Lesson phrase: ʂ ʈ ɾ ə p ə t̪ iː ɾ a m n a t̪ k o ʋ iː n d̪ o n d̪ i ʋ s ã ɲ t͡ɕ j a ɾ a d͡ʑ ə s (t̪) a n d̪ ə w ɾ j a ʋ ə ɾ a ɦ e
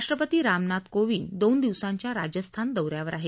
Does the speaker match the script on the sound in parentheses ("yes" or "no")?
no